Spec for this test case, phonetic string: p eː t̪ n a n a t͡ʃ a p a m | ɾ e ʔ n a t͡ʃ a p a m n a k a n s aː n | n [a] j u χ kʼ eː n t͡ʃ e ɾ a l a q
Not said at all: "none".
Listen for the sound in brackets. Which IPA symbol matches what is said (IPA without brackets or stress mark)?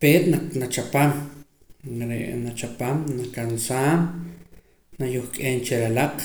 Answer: a